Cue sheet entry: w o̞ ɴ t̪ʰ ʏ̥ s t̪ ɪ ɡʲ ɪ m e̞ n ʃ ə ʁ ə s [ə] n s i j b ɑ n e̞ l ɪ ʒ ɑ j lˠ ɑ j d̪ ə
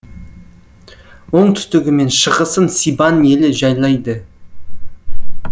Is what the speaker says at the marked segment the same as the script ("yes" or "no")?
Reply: yes